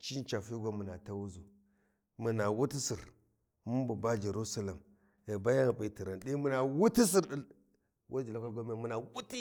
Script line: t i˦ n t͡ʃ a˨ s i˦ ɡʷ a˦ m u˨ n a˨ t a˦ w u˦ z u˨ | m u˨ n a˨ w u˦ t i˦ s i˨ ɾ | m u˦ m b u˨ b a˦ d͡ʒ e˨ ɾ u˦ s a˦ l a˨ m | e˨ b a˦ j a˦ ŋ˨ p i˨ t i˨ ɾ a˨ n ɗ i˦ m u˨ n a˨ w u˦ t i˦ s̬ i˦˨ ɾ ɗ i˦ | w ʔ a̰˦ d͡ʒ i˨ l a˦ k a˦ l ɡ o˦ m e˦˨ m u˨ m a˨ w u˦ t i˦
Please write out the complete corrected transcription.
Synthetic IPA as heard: t͡ʃ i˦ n t͡ʃ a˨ f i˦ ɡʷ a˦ m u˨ n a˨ t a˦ w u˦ z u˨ | m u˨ n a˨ w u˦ t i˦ s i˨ ɾ | m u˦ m b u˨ b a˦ d͡ʒ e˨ ɾ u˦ s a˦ l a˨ m | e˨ b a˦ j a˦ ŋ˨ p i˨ t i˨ ɾ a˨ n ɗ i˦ m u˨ n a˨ w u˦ t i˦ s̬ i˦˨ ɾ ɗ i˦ | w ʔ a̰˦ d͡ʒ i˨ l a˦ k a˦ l ɡ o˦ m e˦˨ m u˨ n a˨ w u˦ t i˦